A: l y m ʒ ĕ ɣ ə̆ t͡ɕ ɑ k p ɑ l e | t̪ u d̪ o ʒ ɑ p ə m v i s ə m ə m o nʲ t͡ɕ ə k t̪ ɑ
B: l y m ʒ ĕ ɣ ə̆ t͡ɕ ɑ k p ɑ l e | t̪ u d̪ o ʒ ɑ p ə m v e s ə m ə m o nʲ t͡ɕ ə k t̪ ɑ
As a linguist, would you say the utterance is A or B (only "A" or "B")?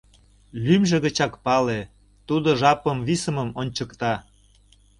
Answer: A